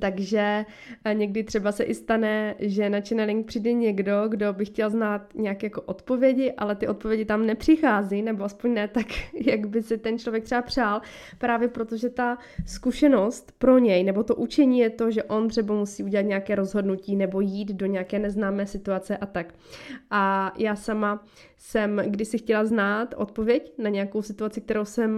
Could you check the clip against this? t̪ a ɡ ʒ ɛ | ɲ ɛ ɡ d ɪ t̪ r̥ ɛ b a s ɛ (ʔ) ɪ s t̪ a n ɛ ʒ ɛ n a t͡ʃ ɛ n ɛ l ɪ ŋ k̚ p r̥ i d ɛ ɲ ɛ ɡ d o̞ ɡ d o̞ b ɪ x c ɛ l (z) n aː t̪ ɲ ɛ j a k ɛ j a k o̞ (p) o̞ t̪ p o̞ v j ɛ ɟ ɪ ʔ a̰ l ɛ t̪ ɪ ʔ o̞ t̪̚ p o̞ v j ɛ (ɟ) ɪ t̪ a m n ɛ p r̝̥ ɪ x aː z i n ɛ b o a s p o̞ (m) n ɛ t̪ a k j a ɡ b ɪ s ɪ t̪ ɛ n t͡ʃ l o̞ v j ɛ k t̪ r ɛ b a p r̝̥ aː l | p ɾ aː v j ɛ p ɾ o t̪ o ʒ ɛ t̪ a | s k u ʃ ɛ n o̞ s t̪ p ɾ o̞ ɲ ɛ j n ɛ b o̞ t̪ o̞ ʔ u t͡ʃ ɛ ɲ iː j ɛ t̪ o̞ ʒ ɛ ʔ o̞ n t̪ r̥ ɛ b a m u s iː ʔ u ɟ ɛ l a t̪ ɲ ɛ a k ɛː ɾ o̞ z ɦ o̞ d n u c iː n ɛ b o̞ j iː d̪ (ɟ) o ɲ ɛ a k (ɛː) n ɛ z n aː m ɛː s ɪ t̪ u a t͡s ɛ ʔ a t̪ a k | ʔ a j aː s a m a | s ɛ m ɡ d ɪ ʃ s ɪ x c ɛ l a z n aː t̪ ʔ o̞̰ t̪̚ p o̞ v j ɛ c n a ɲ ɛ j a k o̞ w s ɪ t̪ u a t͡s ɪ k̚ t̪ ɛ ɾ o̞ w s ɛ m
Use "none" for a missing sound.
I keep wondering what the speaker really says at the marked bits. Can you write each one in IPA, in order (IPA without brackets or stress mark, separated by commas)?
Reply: ʔ, z, ʔ, ɟ, ɲ, d, ɛː